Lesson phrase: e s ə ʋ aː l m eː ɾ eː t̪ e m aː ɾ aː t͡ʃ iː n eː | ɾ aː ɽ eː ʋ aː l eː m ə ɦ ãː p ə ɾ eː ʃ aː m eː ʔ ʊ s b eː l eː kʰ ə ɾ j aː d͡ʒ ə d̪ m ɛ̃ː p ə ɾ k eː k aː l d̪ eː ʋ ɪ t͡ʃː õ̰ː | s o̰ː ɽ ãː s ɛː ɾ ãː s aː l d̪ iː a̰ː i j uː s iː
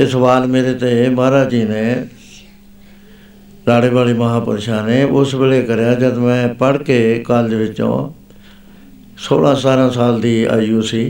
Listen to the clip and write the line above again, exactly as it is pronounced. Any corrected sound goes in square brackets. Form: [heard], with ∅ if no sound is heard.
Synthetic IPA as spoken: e s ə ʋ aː l m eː ɾ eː t̪ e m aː ɾ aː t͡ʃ iː n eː | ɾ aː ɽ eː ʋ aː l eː m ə ɦ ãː p ə ɾ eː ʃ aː [n] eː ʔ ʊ s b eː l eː [k] ə ɾ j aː d͡ʒ ə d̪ m ɛ̃ː p ə [ɽ] k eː k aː l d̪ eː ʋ ɪ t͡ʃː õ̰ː | s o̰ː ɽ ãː s [aː] ɾ ãː s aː l d̪ iː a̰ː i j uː s iː